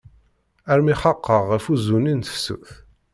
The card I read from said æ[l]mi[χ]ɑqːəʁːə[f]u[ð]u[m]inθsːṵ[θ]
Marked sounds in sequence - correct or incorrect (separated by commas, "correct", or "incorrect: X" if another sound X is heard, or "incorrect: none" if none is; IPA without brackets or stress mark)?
incorrect: ɾ, correct, correct, incorrect: z, incorrect: n, correct